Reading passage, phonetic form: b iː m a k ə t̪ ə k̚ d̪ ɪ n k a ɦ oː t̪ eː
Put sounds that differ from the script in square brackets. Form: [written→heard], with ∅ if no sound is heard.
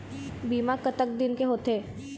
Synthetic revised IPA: b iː m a k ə t̪ ə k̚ d̪ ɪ n k [a→e] ɦ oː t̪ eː

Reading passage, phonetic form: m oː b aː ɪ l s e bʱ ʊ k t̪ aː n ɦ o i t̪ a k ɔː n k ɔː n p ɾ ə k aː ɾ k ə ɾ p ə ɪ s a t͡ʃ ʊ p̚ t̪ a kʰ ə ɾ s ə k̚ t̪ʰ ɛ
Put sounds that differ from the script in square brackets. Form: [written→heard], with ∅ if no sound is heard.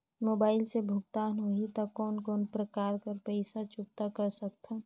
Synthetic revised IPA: m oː b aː ɪ l s e bʱ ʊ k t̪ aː n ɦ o i t̪ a k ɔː n k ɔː n p ɾ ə k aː ɾ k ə ɾ p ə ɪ s a t͡ʃ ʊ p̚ t̪ a [kʰ→k] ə ɾ s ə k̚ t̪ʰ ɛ

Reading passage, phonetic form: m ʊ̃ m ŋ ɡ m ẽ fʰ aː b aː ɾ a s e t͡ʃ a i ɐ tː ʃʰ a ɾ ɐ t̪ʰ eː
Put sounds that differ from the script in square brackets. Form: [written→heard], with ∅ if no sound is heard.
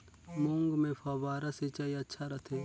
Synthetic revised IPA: m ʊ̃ [m→∅] ŋ ɡ m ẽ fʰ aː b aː ɾ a s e t͡ʃ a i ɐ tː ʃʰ a ɾ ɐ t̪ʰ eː

